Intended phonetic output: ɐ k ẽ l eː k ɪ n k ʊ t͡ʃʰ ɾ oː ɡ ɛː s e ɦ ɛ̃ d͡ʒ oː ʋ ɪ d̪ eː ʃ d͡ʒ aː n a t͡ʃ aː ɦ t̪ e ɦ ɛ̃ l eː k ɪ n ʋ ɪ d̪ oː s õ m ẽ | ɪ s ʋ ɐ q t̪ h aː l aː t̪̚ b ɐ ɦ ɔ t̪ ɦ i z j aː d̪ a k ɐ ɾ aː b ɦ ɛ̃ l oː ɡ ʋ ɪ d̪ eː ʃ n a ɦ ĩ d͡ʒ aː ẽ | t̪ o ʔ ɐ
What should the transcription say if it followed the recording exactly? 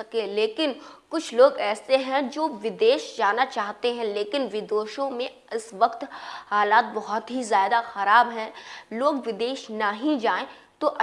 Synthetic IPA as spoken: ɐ k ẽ l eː k ɪ n k ʊ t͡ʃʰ l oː ɡ ɛː s e ɦ ɛ̃ d͡ʒ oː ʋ ɪ d̪ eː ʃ d͡ʒ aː n a t͡ʃ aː ɦ t̪ e ɦ ɛ̃ l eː k ɪ n ʋ ɪ d̪ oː ʃ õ m ẽ | ɪ s ʋ ɐ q t̪ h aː l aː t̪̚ b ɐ ɦ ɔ t̪ ɦ i z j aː d̪ a x ɐ ɾ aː b ɦ ɛ̃ l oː ɡ ʋ ɪ d̪ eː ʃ n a ɦ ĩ d͡ʒ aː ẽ | t̪ o ʔ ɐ